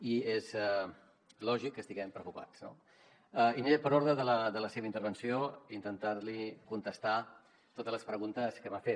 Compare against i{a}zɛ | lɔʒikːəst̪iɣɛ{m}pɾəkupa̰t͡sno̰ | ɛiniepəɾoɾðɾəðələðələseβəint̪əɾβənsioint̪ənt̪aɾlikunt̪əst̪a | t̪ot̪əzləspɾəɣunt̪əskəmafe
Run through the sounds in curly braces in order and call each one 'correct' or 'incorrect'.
incorrect: e, correct

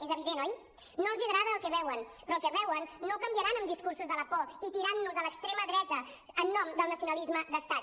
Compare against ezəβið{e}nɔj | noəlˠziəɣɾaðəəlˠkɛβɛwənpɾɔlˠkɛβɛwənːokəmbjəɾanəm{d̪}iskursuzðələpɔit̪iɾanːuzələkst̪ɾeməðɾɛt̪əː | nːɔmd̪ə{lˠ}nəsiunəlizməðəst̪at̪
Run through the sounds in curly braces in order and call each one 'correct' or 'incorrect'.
correct, correct, correct

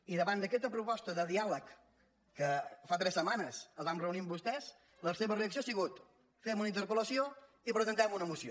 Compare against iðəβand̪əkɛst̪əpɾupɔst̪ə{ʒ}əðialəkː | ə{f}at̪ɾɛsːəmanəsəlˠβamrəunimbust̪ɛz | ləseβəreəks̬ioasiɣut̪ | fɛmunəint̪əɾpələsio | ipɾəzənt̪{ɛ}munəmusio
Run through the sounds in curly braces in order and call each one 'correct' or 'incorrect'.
incorrect: ð, correct, correct

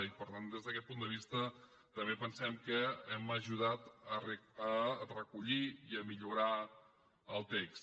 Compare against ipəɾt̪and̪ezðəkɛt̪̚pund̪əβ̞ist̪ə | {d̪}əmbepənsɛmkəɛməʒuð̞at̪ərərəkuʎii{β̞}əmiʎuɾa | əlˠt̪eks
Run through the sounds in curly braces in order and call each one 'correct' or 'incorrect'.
incorrect: t̪, incorrect: none

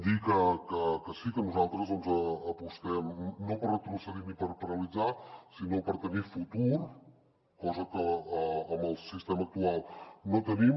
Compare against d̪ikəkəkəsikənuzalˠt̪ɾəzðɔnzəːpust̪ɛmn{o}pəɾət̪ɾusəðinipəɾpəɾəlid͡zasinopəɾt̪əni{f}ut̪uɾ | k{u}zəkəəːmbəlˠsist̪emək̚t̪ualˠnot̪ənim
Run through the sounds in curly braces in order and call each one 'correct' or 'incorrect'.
correct, correct, incorrect: ɔ

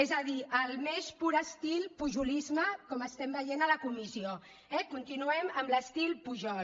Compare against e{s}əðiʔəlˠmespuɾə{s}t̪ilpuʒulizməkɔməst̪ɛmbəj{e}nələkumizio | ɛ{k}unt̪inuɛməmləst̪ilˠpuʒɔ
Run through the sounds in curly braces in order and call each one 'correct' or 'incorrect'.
incorrect: z, correct, correct, correct

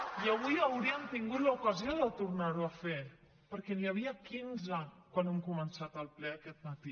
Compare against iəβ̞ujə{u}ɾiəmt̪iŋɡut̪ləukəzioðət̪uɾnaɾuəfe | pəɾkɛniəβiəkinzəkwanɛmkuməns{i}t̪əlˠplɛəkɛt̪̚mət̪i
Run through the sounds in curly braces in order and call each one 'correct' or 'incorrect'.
incorrect: w, incorrect: a

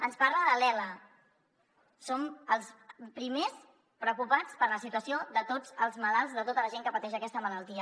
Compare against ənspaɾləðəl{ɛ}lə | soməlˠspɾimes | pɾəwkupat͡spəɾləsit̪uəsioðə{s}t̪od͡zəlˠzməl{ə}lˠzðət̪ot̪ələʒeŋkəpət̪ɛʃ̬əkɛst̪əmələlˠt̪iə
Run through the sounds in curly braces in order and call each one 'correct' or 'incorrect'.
correct, incorrect: none, incorrect: a

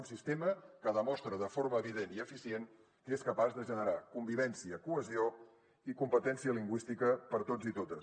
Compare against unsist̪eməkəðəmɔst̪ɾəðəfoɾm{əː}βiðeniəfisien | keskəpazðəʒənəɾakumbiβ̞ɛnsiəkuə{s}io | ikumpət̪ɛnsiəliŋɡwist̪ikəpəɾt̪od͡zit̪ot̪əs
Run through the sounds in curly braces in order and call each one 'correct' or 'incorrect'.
correct, incorrect: z

